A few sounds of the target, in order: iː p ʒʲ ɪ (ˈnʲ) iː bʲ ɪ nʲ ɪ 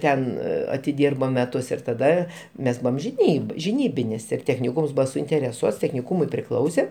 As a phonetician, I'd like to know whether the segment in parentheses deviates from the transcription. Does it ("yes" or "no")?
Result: no